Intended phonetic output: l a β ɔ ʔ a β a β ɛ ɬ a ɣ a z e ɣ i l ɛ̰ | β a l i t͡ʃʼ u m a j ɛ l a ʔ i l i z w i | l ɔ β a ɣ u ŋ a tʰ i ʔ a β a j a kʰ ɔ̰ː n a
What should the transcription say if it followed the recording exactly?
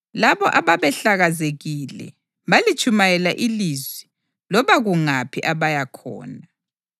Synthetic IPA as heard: l a β ɔ ʔ a β a β ɛ ɬ a ɣ a z e ɣ i l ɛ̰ | β a l i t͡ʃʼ u m a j ɛ l a ʔ i l i z w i | l ɔ β a ɣ u ŋ a pʰ i ʔ a β a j a kʰ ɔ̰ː n a